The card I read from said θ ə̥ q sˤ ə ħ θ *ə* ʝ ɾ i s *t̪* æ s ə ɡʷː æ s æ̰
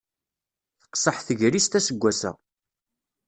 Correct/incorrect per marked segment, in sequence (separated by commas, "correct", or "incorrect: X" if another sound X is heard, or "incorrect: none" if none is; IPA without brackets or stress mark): correct, correct